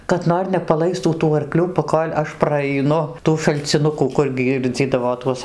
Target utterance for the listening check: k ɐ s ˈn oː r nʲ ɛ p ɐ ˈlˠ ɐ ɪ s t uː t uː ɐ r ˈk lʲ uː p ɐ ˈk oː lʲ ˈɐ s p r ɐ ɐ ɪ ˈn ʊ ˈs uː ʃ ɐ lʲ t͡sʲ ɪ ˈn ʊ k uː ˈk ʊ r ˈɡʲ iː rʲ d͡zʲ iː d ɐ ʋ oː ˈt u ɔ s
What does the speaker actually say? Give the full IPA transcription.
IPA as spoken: k ɐ t ˈn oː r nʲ ɛ p ɐ ˈlˠ ɐ ɪ s t uː t uː ɐ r ˈk lʲ uː p ɐ ˈk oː lʲ ˈɐ ʃ p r ɐ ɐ ɪ ˈn ʊ ˈt uː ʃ ɐ lʲ t͡sʲ ɪ ˈn ʊ k uː ˈk ʊ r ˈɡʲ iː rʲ d͡zʲ iː d ɐ ʋ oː ˈt u ɔ s